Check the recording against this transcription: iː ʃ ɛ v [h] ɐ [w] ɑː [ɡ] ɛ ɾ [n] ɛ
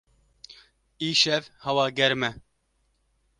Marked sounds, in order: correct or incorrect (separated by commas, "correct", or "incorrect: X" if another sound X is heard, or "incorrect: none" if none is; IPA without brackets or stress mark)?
correct, correct, correct, incorrect: m